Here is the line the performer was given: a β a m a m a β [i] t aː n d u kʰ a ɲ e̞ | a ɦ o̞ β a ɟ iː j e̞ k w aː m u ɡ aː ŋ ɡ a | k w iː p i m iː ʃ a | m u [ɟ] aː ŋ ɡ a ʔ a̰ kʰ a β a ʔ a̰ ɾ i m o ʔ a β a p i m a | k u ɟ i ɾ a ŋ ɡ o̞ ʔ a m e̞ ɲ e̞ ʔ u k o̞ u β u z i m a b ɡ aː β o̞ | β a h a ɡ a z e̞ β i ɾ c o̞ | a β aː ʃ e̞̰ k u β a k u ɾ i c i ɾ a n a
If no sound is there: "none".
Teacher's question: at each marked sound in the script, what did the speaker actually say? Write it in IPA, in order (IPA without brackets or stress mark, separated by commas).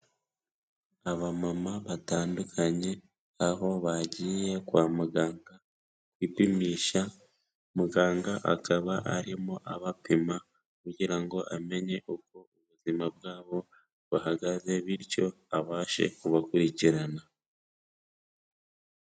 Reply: a, ɡ